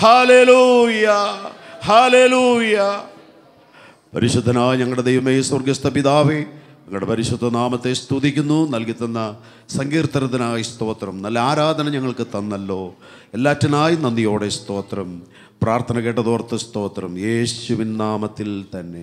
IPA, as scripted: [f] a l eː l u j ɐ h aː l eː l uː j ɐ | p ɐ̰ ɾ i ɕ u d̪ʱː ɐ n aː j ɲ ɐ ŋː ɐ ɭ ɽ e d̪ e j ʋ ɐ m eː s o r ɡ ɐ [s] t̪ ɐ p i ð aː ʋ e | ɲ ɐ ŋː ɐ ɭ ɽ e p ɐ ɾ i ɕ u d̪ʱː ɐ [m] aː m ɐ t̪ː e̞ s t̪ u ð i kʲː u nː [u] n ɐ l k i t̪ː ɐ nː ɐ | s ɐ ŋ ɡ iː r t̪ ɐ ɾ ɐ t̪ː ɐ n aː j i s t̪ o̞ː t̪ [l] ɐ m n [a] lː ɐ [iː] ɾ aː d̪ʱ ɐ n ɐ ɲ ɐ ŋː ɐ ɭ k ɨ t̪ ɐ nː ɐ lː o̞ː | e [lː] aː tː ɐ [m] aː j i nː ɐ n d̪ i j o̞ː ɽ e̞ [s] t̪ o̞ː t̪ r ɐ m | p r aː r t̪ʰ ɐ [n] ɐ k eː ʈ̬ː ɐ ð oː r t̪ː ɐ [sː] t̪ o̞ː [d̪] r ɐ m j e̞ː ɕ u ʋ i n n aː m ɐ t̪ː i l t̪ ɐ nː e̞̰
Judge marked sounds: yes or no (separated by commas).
no, yes, no, yes, no, no, no, yes, no, yes, yes, no, no